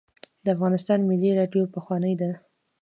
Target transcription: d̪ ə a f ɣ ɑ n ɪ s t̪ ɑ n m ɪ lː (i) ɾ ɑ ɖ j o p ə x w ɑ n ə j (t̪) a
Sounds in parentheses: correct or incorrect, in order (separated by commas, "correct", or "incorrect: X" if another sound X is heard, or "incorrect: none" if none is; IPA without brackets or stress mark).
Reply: correct, incorrect: d̪